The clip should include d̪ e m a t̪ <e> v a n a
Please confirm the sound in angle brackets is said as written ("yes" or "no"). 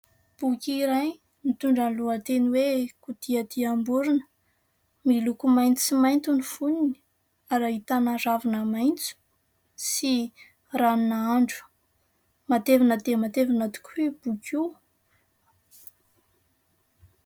yes